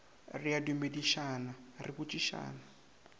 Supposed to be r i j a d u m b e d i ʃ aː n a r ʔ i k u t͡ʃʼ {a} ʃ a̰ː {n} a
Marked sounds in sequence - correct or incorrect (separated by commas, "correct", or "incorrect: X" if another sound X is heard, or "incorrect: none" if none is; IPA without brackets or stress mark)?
incorrect: i, correct